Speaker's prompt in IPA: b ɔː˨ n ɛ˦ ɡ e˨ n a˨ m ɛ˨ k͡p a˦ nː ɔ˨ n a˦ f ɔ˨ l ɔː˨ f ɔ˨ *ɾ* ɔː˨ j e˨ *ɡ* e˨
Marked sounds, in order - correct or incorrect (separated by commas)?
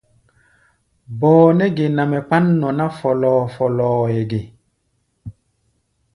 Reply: incorrect, correct